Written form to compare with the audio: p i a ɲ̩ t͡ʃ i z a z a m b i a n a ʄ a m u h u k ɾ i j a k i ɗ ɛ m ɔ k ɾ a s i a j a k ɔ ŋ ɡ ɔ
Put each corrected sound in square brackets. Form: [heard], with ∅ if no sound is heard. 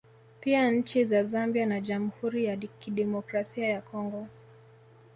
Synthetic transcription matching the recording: p i a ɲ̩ t͡ʃ i z a z a m b i a n a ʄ a m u h u [∅] ɾ i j a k i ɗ ɛ m ɔ k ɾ a s i a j a k ɔ ŋ ɡ ɔ